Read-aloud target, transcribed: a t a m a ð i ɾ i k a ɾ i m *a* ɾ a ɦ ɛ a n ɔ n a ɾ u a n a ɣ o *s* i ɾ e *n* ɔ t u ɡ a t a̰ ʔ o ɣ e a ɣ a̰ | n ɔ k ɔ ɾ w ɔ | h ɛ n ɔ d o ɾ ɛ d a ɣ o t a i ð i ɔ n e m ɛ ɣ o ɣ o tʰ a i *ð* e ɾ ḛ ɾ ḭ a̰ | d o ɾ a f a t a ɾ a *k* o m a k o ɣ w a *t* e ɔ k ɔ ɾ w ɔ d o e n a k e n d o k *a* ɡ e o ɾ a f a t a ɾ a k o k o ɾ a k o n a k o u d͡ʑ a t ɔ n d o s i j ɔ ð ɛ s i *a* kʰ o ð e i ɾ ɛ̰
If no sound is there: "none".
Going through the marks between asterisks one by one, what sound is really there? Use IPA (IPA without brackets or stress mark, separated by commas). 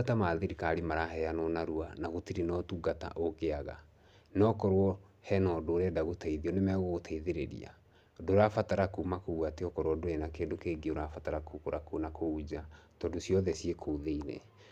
a, t, n, ð, k, t, e, e